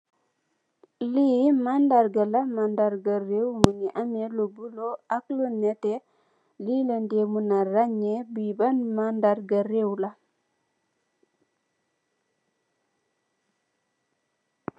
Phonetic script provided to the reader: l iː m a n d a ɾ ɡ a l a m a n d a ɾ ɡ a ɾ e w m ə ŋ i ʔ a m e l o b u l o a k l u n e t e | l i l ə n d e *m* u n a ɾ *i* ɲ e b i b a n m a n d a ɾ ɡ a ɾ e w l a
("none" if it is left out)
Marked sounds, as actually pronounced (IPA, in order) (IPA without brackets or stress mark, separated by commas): m, a